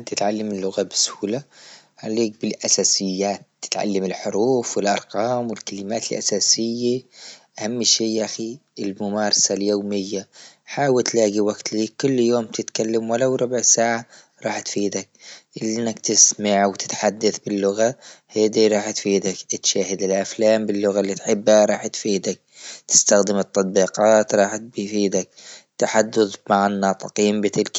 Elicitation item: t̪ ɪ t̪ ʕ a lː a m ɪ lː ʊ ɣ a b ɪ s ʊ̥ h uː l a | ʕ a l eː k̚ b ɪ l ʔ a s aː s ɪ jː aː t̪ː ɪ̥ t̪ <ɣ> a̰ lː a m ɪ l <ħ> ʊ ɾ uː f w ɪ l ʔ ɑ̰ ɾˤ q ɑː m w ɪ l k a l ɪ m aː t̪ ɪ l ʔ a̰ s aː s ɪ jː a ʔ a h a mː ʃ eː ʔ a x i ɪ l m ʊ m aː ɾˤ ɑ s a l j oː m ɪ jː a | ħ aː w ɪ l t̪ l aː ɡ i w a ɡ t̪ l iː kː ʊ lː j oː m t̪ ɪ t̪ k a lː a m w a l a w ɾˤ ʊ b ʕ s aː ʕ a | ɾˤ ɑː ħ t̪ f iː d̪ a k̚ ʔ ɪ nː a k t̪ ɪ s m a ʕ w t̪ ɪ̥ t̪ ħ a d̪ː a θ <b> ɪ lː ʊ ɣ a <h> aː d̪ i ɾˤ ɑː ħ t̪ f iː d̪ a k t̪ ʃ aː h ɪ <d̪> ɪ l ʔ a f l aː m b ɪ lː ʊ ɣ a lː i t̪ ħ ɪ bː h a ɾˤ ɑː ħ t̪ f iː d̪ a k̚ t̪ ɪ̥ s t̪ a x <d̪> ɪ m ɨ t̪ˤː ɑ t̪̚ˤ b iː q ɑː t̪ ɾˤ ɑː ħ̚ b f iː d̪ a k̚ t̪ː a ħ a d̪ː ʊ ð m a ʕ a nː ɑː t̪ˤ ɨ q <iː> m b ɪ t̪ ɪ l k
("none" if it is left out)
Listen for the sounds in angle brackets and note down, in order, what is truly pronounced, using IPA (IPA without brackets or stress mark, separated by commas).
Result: ʕ, ħ, b, h, d̪, d̪, iː